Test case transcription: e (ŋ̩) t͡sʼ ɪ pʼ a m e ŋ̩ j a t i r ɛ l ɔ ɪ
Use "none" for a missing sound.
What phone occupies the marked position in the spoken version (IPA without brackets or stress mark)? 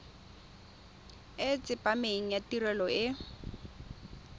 none